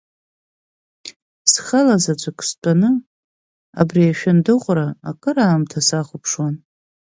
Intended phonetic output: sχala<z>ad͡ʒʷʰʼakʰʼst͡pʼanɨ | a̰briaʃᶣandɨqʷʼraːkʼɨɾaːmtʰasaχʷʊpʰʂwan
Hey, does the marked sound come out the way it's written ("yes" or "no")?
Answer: yes